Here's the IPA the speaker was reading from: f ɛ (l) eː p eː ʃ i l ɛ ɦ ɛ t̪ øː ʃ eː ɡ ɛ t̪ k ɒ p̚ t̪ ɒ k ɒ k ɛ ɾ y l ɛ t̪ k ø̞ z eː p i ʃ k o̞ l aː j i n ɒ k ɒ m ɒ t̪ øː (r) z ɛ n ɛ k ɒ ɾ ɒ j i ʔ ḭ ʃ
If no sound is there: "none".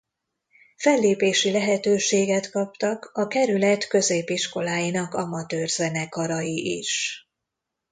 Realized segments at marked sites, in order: lː, r

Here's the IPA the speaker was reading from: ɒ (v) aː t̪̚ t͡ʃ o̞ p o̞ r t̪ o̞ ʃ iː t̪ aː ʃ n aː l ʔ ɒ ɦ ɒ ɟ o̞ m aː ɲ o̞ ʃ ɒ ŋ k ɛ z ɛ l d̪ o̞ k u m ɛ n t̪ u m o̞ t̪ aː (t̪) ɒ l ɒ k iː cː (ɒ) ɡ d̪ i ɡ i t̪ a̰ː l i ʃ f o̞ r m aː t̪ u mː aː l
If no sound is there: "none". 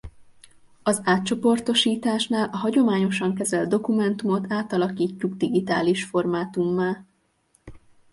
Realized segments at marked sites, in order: z, t̪, u

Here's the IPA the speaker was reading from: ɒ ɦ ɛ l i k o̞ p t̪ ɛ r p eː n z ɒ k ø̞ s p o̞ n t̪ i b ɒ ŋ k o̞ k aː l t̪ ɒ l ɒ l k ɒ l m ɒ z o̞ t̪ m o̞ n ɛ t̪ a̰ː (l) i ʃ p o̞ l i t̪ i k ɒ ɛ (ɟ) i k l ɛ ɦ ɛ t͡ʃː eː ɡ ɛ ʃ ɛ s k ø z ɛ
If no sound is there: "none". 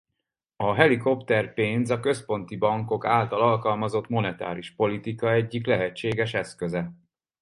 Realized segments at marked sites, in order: ɾ, ɟː

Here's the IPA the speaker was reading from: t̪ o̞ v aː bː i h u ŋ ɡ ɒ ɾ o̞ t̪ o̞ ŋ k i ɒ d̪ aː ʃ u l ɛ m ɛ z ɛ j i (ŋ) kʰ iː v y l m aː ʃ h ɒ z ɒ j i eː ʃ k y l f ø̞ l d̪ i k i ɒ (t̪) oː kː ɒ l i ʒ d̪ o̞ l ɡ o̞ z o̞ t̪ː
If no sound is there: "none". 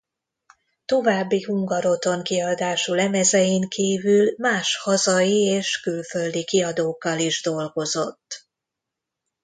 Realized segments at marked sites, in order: ŋ, d̪

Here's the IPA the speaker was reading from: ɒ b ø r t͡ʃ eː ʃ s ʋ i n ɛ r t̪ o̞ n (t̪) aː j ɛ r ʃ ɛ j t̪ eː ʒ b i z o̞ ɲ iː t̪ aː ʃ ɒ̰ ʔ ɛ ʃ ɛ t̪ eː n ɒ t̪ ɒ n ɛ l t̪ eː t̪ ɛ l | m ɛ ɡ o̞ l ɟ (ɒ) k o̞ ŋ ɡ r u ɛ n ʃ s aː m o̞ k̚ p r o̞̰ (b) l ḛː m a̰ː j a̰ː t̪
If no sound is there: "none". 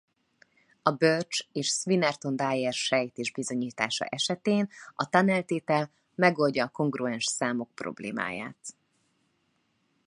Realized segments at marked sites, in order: d̪, ɒː, b

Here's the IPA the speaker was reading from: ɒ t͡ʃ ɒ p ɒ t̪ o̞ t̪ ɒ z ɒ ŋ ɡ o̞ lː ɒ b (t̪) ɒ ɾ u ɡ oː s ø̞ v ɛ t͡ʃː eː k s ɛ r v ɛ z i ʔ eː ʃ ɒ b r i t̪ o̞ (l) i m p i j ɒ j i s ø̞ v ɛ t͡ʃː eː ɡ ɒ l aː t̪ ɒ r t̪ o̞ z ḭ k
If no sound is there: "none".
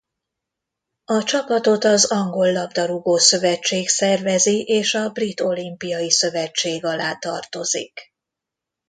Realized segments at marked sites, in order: d̪, l

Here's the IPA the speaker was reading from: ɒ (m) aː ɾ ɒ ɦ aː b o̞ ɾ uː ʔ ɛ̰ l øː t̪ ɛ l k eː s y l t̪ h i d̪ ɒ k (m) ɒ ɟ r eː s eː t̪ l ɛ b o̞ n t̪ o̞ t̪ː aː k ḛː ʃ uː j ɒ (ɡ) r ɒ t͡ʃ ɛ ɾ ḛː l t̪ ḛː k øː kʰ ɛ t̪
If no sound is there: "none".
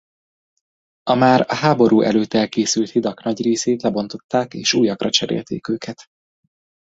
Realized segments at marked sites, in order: m, n, k

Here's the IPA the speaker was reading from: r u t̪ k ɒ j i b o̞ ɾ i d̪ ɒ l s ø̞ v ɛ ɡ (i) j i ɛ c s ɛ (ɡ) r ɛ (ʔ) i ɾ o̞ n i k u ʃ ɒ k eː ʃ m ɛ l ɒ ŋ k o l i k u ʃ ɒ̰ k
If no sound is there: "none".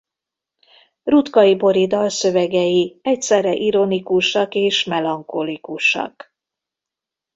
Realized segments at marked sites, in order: ɛ, none, ʔ

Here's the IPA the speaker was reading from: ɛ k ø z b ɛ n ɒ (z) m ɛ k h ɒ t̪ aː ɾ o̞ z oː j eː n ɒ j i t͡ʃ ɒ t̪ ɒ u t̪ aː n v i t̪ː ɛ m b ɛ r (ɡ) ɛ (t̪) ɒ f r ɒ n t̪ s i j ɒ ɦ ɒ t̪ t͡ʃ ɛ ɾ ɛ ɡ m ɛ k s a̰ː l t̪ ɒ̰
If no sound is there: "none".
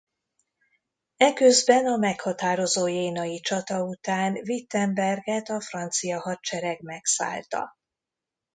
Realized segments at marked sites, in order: none, ɡ, t̪

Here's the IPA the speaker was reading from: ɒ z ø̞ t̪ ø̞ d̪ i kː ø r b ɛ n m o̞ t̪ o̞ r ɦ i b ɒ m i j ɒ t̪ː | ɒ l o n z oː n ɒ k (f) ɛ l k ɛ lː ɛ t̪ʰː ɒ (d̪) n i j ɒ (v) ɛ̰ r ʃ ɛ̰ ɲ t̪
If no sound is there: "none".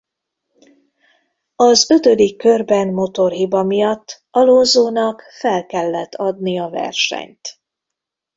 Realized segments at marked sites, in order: f, d̪, v

